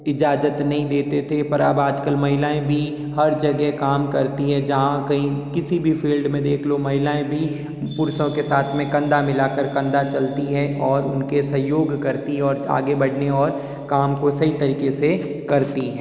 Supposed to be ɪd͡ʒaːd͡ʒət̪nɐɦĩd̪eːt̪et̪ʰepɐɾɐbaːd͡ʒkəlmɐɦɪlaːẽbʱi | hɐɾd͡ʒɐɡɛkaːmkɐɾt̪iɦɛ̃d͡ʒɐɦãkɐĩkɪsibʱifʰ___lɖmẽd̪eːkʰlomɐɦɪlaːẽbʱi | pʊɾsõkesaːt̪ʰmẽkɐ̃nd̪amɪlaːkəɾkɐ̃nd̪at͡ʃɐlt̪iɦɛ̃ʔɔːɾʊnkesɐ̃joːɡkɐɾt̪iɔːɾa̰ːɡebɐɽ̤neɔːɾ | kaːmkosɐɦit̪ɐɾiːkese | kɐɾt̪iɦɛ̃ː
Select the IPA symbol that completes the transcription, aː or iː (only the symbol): iː